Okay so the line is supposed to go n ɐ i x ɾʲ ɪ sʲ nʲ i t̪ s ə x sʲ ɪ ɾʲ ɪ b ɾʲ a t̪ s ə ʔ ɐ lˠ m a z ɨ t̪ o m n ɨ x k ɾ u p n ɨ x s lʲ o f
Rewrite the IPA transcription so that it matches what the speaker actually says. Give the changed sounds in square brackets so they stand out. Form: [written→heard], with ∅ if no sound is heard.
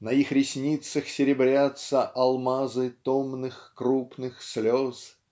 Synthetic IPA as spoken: n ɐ i x ɾʲ ɪ sʲ nʲ i t̪ s ə x sʲ ɪ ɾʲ ɪ b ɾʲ a t̪ s ə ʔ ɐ lˠ m a z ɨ t̪ o m n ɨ x k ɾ u p n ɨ x s lʲ o [f→s]